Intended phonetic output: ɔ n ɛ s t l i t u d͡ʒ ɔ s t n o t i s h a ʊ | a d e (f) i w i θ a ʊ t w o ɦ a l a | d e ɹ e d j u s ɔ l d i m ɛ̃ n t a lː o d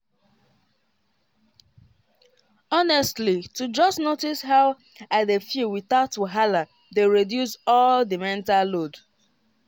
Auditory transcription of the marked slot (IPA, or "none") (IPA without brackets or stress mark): f